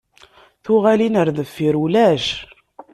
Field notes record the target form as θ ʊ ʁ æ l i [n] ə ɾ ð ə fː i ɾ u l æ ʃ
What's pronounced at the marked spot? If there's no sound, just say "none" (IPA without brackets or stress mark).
n